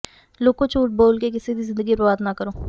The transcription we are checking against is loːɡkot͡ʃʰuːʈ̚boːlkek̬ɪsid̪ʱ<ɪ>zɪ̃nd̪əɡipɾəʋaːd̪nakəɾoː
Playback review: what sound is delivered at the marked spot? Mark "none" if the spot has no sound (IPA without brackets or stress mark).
i